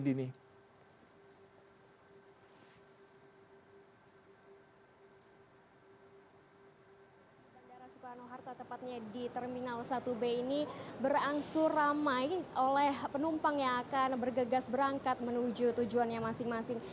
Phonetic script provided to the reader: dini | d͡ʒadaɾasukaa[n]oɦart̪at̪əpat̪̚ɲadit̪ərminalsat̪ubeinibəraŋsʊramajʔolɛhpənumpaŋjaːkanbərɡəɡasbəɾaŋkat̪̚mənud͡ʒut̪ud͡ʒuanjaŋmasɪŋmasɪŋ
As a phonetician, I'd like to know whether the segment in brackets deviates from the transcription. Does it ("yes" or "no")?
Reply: no